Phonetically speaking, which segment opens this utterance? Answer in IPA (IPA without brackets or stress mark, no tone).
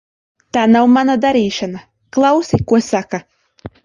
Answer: t̪